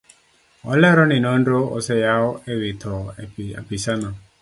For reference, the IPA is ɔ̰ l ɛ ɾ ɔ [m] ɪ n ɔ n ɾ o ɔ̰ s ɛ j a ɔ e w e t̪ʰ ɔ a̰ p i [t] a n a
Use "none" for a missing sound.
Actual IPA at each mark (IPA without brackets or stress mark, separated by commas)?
n, s